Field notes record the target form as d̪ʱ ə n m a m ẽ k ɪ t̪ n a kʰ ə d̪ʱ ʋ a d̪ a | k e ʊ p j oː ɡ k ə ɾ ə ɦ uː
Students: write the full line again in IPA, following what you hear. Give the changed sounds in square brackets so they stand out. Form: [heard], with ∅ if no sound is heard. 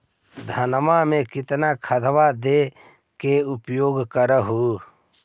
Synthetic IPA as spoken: d̪ʱ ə n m a m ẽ k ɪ t̪ n a kʰ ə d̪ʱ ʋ a d̪ [e] | k e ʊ p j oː ɡ k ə ɾ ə ɦ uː